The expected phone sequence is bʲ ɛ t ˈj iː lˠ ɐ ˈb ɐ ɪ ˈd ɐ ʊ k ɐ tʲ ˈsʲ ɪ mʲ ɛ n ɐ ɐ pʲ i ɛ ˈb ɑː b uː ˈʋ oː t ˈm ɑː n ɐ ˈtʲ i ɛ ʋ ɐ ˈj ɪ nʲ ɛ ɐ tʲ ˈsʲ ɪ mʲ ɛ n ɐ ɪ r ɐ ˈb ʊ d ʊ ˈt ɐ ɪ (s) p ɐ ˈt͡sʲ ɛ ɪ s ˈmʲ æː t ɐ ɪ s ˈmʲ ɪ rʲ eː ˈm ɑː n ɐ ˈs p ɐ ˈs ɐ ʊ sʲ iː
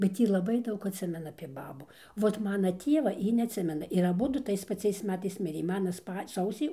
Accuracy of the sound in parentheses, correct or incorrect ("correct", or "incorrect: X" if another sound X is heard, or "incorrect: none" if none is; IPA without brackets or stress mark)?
correct